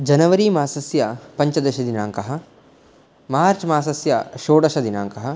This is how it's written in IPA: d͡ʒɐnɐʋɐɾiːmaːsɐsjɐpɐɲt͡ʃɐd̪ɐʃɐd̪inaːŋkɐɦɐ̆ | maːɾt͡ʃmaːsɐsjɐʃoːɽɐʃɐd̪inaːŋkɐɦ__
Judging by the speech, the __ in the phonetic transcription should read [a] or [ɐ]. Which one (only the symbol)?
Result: ɐ